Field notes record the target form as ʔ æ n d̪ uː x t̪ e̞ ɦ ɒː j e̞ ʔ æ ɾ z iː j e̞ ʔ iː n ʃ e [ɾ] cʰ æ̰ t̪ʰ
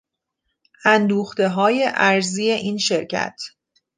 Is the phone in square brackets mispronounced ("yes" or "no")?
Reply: no